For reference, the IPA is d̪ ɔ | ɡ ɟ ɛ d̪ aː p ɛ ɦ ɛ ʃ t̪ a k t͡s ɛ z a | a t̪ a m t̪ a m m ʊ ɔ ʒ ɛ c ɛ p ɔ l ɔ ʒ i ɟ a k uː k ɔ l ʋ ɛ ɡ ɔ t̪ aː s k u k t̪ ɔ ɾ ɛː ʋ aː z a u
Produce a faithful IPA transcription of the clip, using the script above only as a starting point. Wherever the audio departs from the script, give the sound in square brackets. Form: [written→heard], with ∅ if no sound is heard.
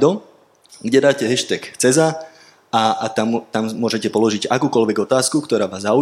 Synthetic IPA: d̪ ɔ | ɡ ɟ ɛ d̪ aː [p→c] ɛ ɦ ɛ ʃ t̪ [a→ɛ] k t͡s ɛ z a | a t̪ a m t̪ a m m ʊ ɔ ʒ ɛ c ɛ p ɔ l ɔ ʒ i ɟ a k uː k ɔ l ʋ ɛ ɡ ɔ t̪ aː s k u k t̪ ɔ ɾ [ɛː→aː] ʋ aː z a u